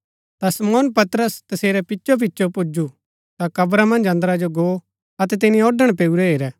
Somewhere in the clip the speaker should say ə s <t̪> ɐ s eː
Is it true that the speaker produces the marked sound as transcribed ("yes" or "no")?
yes